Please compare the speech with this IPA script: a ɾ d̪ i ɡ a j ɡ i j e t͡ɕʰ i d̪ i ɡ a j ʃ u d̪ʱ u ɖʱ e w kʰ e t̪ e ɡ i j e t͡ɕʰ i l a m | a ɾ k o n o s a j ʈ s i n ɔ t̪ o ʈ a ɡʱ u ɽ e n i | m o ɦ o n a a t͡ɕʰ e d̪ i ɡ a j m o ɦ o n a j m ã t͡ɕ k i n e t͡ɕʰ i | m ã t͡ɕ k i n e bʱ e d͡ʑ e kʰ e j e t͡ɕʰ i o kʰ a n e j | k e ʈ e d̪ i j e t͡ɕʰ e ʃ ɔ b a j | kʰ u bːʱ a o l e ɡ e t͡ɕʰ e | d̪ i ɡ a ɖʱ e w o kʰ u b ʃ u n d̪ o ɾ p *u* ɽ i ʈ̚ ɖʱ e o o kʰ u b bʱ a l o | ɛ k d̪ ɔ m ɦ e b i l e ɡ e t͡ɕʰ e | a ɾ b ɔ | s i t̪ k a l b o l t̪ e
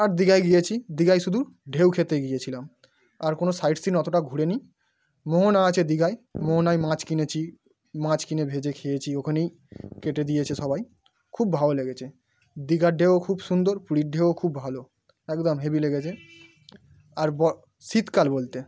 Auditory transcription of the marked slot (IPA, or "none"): u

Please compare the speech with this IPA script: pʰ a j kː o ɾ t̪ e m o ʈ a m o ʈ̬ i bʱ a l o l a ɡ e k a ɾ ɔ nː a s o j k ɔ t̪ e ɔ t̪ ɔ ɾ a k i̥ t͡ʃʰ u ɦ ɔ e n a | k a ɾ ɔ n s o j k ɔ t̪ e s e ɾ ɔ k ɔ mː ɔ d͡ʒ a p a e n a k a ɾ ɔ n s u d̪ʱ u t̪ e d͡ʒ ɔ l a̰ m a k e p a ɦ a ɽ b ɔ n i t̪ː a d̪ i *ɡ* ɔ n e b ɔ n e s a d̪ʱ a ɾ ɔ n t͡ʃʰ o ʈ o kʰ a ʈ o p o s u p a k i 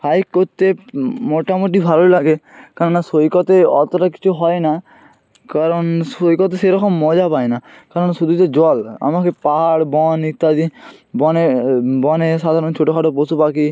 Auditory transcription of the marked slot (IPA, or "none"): b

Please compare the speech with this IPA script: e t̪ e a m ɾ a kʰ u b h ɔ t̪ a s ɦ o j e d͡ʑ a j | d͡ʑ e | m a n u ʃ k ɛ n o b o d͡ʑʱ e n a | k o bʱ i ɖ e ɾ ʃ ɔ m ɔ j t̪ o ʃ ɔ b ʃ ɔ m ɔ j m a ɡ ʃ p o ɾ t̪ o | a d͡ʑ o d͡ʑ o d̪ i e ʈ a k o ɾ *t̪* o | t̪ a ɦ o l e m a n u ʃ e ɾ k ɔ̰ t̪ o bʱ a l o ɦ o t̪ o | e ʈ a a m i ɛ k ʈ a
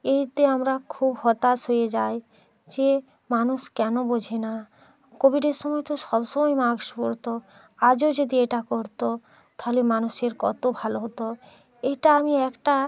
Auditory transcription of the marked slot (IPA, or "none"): t̪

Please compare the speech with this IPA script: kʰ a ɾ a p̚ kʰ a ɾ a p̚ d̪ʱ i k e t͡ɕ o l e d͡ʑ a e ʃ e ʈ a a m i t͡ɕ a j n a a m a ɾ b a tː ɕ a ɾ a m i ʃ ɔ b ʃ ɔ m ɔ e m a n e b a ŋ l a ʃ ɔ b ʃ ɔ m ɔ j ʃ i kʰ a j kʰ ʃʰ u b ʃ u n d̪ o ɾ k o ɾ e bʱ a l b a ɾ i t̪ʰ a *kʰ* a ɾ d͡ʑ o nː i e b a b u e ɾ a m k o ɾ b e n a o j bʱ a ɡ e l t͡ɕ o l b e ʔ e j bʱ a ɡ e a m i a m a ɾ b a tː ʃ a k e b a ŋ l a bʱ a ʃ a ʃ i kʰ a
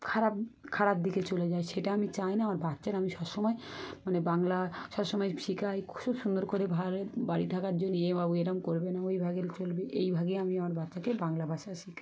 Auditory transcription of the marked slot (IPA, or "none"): k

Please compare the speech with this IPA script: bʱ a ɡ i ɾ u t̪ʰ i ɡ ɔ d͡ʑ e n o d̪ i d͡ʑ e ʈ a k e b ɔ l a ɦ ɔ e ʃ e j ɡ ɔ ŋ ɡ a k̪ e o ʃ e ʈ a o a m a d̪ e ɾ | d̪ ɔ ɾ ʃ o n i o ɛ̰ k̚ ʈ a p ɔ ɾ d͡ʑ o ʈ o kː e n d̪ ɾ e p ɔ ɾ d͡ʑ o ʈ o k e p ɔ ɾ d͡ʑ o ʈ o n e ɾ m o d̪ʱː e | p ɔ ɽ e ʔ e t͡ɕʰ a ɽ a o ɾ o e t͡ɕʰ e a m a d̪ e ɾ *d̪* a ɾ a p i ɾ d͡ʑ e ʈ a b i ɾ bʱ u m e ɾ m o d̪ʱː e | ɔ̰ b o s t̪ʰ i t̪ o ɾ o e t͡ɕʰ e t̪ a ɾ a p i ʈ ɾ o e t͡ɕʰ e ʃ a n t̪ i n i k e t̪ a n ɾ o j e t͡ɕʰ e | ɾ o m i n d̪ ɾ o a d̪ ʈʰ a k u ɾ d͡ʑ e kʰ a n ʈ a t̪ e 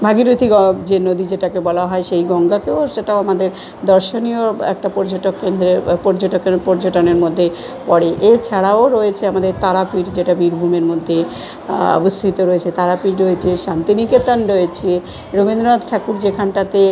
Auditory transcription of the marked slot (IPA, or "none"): t̪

